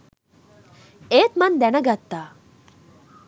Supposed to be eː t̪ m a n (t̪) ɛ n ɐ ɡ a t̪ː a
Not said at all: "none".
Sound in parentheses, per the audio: d̪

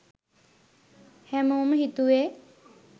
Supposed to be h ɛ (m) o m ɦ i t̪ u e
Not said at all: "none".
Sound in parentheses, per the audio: m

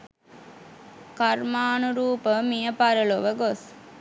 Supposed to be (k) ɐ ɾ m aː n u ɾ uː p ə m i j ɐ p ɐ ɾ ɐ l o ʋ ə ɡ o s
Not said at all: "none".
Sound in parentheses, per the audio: k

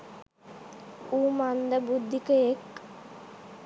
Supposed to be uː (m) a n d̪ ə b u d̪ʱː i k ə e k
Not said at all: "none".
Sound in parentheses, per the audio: m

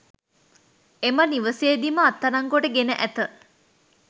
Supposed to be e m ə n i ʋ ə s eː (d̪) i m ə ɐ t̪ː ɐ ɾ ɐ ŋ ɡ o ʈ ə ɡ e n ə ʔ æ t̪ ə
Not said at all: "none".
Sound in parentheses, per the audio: d̪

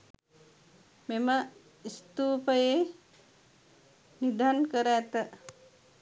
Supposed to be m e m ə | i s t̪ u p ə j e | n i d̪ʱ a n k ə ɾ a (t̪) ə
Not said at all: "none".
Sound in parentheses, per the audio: t̪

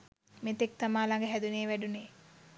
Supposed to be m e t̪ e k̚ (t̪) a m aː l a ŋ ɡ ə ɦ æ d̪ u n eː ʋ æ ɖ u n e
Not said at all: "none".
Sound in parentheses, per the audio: t̪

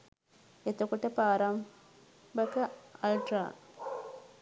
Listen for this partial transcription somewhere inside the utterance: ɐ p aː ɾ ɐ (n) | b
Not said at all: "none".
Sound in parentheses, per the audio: m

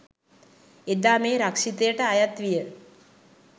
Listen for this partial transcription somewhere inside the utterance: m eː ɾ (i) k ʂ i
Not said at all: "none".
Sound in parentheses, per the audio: a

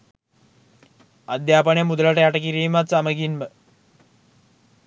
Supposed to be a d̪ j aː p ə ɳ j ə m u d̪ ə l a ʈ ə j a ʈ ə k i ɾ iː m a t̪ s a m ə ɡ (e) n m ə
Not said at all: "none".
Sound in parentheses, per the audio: i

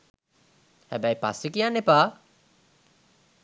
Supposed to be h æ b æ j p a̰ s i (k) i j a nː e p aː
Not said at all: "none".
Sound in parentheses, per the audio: k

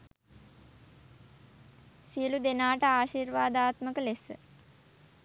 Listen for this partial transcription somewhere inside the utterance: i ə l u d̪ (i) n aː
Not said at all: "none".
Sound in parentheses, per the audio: e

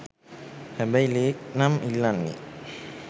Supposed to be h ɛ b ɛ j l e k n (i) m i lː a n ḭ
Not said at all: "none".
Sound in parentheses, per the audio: a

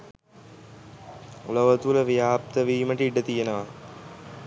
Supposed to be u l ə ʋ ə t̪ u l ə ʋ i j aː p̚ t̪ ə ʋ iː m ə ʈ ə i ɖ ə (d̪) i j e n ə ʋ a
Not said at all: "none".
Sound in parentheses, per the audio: t̪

